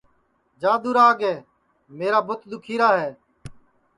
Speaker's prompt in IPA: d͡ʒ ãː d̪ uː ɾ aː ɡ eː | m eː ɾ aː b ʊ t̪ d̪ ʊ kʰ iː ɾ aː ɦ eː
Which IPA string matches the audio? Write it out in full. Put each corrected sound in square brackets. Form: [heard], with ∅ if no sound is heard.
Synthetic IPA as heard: d͡ʒ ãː d̪ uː ɾ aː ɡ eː | m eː ɾ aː b ʊ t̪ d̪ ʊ kʰ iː ɾ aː ɦ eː